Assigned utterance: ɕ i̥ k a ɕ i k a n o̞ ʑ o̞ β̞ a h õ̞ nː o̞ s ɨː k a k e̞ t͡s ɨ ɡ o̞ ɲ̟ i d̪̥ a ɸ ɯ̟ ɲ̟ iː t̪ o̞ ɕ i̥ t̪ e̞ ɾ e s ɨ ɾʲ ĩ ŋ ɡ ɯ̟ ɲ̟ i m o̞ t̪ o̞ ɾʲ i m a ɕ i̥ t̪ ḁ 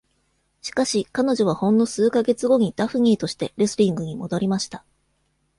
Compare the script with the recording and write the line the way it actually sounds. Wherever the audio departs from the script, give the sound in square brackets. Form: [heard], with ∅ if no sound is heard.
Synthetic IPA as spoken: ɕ i̥ k a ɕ i k a n o̞ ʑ o̞ β̞ a h õ̞ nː o̞ s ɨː k a [ɡ] e̞ t͡s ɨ ɡ o̞ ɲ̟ i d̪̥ a ɸ ɯ̟ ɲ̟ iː t̪ o̞ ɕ i̥ t̪ e̞ ɾ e s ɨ ɾʲ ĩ ŋ ɡ ɯ̟ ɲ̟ i m o̞ [d̪] o̞ ɾʲ i m a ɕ i̥ t̪ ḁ